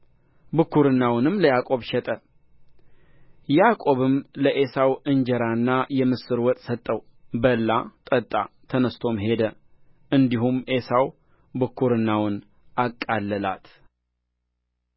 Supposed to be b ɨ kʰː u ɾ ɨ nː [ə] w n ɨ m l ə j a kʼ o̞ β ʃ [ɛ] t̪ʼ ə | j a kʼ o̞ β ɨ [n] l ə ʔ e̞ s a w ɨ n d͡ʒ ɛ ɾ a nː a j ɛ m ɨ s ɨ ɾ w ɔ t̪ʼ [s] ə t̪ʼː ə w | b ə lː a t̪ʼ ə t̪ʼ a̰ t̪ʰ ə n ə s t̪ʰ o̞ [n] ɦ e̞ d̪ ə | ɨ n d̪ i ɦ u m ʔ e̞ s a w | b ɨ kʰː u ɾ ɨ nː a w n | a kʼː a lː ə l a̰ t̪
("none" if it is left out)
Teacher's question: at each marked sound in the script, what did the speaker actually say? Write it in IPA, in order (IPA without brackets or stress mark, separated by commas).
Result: a, ɛ, m, s, m